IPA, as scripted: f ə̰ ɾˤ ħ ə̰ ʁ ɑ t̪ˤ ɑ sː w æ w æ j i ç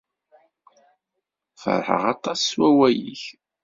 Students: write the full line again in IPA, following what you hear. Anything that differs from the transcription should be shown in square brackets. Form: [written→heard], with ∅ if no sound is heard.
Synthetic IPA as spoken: f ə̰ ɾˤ ħ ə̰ ʁ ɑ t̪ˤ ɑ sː w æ w æ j i ç